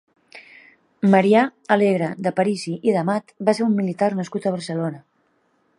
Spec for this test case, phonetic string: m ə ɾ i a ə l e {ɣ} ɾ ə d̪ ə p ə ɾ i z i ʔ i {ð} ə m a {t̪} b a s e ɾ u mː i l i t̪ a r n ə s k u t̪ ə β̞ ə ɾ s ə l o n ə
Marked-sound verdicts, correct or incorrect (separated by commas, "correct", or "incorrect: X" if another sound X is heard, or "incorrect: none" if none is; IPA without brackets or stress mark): correct, correct, correct